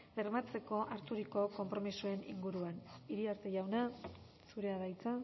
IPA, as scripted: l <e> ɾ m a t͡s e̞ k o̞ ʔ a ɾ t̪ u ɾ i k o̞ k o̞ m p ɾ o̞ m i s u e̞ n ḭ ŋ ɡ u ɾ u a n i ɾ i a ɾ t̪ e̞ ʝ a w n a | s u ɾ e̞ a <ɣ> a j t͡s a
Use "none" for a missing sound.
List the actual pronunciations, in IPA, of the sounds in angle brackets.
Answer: e, ð

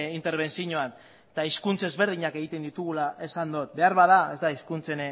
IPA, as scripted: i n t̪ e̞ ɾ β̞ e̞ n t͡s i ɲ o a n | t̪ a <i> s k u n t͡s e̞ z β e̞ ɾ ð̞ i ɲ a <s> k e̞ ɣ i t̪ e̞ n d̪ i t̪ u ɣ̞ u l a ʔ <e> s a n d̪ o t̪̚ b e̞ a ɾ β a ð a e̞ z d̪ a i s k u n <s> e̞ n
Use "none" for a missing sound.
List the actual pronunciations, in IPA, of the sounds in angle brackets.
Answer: i, none, e, t͡s

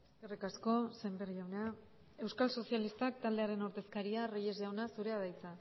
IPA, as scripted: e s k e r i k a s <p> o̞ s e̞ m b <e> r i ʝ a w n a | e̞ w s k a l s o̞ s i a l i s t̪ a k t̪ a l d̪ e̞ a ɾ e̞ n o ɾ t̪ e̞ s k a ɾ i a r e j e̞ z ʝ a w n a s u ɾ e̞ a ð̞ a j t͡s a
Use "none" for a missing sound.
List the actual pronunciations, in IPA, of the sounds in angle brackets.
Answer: k, e

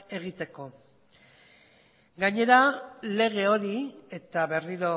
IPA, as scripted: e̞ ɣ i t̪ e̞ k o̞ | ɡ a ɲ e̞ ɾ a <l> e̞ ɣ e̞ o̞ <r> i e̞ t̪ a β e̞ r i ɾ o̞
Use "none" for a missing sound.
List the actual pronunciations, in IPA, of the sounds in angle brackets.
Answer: l, ɾ

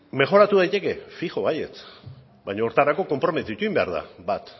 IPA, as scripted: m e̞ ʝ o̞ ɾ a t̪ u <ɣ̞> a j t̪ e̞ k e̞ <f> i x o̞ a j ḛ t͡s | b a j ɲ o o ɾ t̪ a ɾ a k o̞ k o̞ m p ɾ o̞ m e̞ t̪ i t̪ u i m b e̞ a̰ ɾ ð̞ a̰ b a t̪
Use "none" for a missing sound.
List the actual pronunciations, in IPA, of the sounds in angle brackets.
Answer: ð̞, f

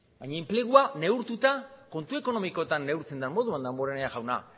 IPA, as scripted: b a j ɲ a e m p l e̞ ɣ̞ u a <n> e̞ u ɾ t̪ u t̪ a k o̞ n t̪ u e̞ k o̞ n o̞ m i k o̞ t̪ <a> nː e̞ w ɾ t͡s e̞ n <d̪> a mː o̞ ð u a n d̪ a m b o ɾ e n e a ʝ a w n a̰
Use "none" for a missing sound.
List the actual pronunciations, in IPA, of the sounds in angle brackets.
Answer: n, a, d̪

